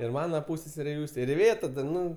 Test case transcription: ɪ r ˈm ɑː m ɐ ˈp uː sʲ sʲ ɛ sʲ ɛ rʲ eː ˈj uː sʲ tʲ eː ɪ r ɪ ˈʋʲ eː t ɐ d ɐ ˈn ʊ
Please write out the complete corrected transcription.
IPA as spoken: ɪ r ˈm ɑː n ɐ ˈp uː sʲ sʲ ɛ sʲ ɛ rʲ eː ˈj uː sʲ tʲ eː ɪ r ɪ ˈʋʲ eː t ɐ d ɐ ˈn ʊ